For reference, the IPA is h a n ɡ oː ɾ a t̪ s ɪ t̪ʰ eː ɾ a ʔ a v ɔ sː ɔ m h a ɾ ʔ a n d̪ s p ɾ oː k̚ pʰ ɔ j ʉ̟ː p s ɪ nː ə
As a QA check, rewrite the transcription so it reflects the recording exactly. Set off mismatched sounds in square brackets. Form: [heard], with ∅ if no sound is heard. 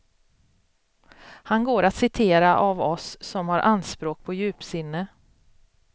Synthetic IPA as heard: h a n ɡ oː ɾ a t̪ s ɪ t̪ʰ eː ɾ a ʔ a v ɔ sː ɔ m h a ɾ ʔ a n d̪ s p ɾ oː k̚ pʰ ɔ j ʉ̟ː p s ɪ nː ə